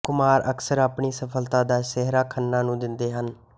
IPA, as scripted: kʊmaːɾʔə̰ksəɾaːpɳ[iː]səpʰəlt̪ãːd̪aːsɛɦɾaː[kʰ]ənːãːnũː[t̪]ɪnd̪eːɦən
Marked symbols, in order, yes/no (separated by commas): yes, yes, no